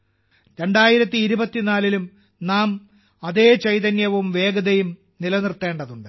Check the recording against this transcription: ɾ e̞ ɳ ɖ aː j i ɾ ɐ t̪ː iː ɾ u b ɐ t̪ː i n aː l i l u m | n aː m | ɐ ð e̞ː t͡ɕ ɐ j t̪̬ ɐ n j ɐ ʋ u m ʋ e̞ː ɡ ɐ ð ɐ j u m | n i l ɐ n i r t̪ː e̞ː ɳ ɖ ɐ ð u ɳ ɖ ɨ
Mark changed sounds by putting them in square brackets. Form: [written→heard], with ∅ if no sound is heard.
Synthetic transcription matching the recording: ɾ e̞ ɳ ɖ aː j i ɾ ɐ t̪ː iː ɾ u b ɐ t̪ː i n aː l i l u m | n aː m | ɐ ð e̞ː t͡ɕ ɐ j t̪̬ ɐ n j ɐ ʋ u m ʋ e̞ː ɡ ɐ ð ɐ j u m | n i l ɐ n i r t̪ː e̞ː ɳ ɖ ɐ ð u ɳ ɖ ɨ